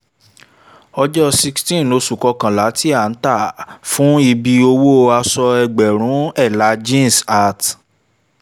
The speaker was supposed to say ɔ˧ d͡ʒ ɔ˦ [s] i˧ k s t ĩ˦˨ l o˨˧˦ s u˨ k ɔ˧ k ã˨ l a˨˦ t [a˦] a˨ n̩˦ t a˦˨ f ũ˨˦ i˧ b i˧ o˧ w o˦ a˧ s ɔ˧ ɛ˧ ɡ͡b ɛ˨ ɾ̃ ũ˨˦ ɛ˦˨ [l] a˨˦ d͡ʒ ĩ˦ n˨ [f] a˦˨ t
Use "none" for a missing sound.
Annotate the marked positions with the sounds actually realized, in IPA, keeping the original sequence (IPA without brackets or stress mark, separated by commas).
s, i˦, l, s